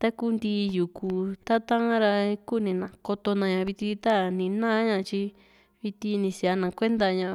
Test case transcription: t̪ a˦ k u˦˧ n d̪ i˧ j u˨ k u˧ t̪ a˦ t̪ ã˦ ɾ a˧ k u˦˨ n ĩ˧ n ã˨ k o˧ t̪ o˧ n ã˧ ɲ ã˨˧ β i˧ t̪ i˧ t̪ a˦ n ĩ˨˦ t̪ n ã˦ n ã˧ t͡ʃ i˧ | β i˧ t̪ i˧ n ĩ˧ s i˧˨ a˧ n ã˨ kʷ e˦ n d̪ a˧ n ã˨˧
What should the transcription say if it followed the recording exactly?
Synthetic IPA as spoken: t̪ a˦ k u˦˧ n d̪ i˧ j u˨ k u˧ t̪ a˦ t̪ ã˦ ɾ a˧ k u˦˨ n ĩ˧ n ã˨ k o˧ t̪ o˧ n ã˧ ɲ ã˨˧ β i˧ t̪ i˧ t̪ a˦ n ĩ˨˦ n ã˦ ɲ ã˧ t͡ʃ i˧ | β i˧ t̪ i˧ n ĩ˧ s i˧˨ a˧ n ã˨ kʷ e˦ n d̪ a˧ ɲ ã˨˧

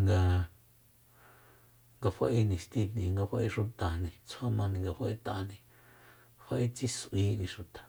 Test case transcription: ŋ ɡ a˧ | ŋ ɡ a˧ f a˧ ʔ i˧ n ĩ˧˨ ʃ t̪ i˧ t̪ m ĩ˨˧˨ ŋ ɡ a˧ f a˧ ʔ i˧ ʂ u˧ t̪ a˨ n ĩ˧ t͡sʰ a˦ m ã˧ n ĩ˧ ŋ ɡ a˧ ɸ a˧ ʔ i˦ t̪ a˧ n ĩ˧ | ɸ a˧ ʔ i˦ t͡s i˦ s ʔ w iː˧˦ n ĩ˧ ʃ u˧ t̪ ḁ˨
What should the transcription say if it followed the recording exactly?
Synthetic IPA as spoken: ŋ ɡ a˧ | ŋ ɡ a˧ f a˧ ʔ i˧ n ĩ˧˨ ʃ t̪ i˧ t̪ n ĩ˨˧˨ ŋ ɡ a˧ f a˧ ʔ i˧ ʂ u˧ t̪ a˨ n ĩ˧ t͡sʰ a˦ m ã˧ n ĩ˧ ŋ ɡ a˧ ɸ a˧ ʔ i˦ t̪ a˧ n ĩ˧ | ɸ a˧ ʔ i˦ t͡s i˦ s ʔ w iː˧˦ n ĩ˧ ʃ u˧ t̪ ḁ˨

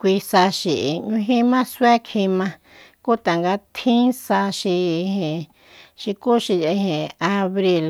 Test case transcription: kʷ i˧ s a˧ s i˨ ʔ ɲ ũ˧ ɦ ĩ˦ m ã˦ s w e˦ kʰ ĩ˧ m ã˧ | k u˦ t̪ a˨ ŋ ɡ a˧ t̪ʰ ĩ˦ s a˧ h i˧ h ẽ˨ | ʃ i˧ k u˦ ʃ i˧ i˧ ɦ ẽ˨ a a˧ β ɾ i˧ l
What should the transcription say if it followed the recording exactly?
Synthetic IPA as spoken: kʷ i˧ s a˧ ʃ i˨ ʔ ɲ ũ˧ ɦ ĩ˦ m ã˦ s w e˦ kʰ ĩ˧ m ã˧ | k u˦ t̪ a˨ ŋ ɡ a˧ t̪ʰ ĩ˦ s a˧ ʃ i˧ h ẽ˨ | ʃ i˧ k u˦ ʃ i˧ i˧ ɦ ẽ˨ a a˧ β ɾ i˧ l

